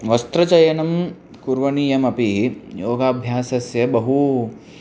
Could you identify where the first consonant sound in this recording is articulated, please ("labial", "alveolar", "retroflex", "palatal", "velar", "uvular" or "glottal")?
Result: labial